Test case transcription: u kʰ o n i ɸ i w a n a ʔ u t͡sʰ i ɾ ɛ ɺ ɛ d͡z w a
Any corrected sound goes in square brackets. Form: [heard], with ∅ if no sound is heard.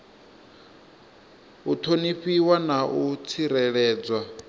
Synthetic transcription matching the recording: u [tʰ] o n i ɸ i w a n a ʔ u t͡sʰ i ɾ ɛ ɺ [ɛː] d͡z w a